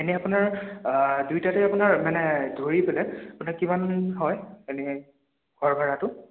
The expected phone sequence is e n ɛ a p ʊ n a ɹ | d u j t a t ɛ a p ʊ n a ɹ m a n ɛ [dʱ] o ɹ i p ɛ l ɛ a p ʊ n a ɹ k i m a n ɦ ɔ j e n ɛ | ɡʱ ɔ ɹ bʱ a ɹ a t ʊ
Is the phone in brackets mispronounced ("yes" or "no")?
no